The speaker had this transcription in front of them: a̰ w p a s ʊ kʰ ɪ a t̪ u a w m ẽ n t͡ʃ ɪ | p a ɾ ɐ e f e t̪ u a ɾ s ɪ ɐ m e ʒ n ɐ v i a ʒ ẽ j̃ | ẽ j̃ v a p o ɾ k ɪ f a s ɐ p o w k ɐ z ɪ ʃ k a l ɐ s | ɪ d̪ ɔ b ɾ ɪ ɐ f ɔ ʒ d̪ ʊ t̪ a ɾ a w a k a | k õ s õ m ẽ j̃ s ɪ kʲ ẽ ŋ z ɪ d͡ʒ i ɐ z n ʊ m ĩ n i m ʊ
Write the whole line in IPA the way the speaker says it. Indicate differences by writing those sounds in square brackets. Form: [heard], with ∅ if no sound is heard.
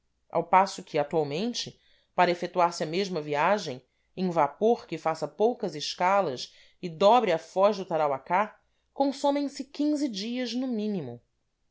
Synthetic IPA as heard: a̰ w p a s ʊ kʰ ɪ a t̪ u a w m ẽ n t͡ʃ ɪ | p a ɾ ɐ e f e t̪ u a ɾ s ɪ ɐ m e ʒ [m] ɐ v i a ʒ ẽ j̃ | ẽ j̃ v a p o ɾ k ɪ f a s ɐ p o w k ɐ z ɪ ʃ k a l ɐ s | ɪ d̪ ɔ b ɾ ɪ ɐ f ɔ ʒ d̪ ʊ t̪ a ɾ a w a k a | k õ s õ m ẽ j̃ s ɪ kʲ [ĩ] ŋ z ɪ d͡ʒ i ɐ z n ʊ m ĩ n i m ʊ